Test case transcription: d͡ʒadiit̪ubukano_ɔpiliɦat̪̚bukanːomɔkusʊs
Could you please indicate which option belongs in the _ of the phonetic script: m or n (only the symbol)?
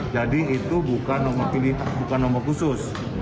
m